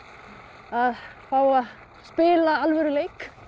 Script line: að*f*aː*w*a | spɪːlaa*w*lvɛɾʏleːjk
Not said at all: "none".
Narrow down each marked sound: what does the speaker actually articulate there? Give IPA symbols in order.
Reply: f, w, none

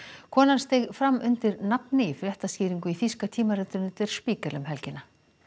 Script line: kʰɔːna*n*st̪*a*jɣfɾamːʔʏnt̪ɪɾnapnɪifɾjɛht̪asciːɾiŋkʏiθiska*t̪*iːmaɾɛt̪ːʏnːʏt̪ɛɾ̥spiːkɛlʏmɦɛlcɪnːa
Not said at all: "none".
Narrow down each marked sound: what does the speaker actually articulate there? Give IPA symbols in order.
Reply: n, e, t̪ʰ

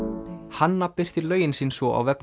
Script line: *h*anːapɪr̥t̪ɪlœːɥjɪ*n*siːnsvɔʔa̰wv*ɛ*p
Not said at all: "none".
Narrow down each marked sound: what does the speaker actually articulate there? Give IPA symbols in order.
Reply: h, n, ɛ

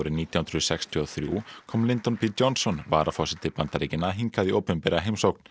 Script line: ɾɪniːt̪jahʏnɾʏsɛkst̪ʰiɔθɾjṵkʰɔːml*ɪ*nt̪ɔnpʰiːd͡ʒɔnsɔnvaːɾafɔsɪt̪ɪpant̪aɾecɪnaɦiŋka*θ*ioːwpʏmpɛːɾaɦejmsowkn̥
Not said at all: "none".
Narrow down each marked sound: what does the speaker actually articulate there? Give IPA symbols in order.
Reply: ɪ, ð

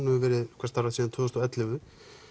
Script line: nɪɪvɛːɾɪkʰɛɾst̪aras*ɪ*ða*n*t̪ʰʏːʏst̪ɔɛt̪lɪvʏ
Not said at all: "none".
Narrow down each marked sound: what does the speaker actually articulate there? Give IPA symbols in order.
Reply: i, n

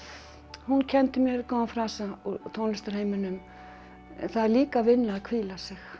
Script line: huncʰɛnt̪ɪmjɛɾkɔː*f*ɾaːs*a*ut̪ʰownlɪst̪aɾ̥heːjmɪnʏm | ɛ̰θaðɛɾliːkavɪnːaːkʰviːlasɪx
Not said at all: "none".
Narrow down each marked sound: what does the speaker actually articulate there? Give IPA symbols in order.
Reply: f, a

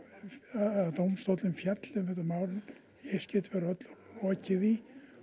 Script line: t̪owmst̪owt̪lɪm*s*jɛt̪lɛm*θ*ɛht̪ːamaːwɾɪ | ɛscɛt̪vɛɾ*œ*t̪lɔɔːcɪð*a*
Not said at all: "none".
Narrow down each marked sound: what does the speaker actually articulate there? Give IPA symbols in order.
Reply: f, θ, œ, i

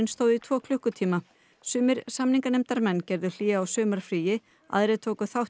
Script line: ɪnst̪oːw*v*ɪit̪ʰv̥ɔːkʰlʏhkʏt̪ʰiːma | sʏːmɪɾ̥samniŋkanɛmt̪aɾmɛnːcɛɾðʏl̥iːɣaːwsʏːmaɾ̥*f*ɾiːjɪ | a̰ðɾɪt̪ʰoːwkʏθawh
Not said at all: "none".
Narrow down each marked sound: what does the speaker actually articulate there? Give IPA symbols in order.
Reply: ð, f

